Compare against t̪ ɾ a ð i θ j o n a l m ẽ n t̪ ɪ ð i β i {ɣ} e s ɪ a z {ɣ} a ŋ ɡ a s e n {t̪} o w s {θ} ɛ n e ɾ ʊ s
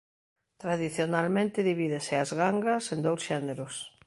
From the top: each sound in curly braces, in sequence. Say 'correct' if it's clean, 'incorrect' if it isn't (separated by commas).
incorrect, correct, incorrect, incorrect